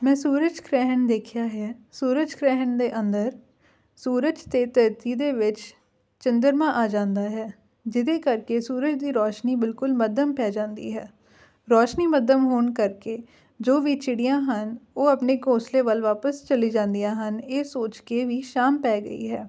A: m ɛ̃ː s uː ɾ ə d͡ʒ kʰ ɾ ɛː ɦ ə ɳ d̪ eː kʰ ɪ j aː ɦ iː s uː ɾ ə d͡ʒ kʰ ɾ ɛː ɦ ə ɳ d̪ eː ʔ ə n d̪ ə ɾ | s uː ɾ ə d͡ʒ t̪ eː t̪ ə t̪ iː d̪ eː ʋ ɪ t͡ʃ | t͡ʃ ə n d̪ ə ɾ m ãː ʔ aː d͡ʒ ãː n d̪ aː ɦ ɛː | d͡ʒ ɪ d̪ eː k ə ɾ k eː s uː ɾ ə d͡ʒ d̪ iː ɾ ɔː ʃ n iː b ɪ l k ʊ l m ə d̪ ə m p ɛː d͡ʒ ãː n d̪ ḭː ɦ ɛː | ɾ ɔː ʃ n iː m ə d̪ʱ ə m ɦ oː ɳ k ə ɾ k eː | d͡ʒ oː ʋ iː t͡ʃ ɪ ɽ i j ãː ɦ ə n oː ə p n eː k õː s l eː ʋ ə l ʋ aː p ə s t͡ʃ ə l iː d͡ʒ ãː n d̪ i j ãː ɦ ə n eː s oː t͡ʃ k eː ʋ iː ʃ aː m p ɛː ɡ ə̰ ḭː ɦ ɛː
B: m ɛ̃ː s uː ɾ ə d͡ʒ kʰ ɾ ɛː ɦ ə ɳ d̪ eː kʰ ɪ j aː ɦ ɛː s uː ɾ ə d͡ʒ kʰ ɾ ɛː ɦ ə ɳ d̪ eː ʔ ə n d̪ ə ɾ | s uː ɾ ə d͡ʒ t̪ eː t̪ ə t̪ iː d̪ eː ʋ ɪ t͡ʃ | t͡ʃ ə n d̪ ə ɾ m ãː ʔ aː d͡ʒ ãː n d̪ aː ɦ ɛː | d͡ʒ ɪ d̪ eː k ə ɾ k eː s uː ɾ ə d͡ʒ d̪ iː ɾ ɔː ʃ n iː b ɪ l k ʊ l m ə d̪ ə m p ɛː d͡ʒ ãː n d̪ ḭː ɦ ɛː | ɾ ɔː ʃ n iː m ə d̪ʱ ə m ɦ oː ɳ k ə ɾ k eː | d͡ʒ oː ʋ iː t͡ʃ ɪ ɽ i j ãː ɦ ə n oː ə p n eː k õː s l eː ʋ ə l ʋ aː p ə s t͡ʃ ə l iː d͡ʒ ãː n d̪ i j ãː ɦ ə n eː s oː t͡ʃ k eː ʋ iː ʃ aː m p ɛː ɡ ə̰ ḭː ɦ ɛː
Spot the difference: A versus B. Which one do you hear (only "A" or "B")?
B